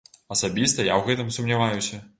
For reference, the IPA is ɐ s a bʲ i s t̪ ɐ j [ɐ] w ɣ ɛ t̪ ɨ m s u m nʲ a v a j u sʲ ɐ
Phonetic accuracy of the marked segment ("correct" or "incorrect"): incorrect